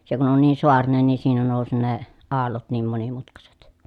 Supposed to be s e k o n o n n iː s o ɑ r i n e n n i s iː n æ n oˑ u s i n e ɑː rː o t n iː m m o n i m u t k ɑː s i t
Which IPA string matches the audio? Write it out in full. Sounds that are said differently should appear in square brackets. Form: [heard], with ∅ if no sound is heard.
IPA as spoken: s e k [u] n o n n iː s o ɑ r i n e n n i s iː n æ n oˑ u s i n e ɑː [lː] o t n iː m m o n i m u t k [ɑ] s [e] t